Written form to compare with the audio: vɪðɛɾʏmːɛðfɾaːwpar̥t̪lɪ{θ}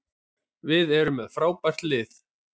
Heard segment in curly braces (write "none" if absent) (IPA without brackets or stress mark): θ